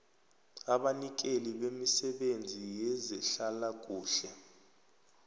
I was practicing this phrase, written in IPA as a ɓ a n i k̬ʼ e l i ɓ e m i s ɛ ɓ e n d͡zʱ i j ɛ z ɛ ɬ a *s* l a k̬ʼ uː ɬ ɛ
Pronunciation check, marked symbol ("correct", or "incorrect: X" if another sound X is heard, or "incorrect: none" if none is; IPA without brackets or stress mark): incorrect: none